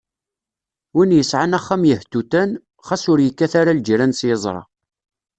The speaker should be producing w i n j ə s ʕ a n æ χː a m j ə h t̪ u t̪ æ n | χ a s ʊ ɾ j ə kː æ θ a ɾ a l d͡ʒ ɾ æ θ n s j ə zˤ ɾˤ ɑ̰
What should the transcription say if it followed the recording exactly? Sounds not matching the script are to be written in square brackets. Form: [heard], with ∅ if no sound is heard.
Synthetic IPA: w i n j ə s ʕ a n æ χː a m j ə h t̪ u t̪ æ n | χ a s ʊ ɾ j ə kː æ θ a ɾ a l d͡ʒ ɾ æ [∅] n s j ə zˤ ɾˤ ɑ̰